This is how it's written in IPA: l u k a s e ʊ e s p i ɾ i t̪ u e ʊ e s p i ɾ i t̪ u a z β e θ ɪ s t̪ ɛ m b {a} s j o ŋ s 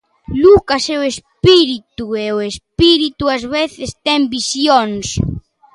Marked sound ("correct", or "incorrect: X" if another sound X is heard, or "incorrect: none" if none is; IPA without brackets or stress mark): incorrect: i